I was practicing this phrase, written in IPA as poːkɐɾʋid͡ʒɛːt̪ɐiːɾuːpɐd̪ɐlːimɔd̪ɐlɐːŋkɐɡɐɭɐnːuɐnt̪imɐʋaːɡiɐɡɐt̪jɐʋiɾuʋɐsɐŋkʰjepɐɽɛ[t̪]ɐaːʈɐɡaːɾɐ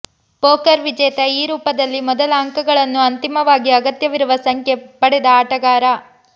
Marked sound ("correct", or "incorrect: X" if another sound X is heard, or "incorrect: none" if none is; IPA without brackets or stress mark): incorrect: d̪